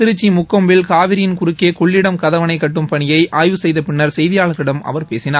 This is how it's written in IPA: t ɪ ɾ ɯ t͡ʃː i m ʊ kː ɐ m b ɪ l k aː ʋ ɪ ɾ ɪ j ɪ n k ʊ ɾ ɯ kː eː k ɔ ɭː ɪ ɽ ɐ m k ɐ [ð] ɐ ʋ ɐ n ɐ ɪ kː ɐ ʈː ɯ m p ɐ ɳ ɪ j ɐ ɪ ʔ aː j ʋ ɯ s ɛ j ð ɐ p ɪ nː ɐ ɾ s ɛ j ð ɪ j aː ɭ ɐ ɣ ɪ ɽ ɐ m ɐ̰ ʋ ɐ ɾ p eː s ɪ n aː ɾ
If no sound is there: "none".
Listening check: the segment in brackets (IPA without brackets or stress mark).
ð